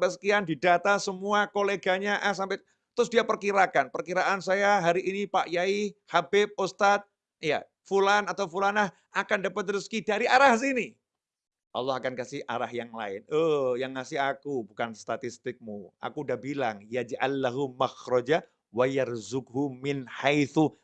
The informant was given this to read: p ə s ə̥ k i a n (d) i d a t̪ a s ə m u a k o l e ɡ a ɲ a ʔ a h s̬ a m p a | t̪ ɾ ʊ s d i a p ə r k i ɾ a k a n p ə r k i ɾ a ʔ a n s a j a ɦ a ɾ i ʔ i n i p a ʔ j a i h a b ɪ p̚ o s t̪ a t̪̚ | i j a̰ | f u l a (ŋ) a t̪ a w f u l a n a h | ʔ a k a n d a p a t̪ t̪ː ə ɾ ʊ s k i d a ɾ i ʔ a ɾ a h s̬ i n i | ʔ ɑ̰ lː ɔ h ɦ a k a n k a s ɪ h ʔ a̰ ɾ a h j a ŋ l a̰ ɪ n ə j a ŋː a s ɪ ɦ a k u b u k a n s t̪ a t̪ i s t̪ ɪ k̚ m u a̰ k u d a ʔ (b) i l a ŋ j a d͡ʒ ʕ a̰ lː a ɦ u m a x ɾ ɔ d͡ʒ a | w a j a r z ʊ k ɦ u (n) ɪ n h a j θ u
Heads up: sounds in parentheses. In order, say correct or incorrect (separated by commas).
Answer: correct, incorrect, correct, incorrect